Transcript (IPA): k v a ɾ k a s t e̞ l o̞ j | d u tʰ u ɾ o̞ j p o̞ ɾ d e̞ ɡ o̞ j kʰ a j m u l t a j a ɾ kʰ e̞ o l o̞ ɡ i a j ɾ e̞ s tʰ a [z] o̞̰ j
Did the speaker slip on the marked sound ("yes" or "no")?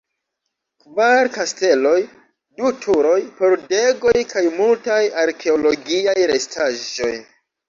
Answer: yes